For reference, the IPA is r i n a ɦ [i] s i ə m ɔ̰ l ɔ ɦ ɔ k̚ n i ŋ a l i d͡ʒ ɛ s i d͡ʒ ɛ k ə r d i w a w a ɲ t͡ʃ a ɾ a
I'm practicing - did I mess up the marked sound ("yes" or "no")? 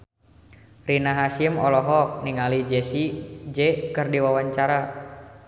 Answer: yes